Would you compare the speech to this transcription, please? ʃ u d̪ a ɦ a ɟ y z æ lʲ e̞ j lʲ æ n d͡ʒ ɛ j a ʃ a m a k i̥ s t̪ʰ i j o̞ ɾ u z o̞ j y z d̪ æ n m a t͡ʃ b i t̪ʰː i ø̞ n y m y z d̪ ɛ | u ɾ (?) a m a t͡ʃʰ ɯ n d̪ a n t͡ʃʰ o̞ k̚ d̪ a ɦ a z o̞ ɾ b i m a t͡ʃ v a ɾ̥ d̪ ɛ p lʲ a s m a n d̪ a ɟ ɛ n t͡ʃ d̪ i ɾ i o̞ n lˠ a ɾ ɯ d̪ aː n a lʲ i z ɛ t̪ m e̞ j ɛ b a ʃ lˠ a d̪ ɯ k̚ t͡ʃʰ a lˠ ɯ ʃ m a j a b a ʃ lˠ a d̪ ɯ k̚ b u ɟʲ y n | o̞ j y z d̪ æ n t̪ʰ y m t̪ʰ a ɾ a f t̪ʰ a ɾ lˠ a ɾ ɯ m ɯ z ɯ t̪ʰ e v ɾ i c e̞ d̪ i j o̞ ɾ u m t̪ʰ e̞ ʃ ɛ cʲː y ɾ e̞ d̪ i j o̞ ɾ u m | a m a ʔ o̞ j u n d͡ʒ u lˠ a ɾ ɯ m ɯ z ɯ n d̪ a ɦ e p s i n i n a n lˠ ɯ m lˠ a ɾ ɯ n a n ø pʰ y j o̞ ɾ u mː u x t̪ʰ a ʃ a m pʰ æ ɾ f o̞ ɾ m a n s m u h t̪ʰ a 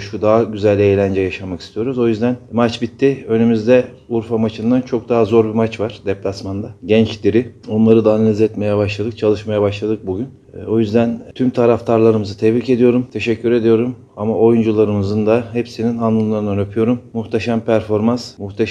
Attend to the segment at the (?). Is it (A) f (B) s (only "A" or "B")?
A